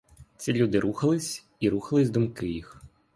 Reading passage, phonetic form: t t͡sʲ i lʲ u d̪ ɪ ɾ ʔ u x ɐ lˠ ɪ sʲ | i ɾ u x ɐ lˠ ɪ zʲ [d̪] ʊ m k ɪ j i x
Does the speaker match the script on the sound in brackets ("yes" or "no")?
yes